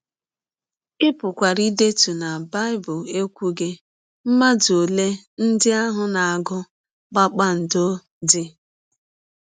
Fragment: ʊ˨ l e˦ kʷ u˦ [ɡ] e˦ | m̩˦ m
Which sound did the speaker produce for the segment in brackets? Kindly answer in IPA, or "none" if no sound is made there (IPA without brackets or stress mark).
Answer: ɡ